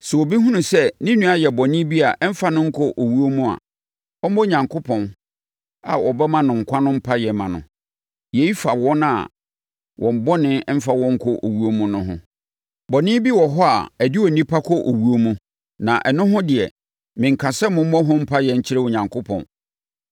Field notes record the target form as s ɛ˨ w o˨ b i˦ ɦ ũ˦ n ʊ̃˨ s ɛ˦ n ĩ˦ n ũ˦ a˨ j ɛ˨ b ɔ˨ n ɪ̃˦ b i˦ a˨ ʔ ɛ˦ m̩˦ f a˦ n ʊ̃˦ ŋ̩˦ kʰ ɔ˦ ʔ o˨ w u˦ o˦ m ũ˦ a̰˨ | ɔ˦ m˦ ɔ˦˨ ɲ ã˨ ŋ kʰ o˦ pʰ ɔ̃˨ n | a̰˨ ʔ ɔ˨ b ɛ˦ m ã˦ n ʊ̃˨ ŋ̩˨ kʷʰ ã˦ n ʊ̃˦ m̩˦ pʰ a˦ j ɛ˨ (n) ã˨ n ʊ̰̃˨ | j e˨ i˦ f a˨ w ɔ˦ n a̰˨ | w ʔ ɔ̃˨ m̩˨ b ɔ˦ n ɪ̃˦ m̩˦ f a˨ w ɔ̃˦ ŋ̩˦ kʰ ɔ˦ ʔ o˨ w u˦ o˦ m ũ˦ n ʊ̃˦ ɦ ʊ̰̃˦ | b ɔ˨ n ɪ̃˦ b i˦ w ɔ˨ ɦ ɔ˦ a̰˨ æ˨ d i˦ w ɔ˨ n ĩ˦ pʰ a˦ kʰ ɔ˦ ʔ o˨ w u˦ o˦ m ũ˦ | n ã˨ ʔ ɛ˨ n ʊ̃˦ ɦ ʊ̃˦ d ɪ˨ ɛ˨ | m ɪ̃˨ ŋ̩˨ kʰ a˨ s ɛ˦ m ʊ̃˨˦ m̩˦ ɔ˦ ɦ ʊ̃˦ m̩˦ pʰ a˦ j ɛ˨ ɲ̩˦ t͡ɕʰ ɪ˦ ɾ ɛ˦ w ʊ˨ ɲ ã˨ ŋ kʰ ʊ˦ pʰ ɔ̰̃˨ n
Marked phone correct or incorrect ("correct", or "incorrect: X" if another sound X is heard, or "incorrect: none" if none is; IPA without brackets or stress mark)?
incorrect: m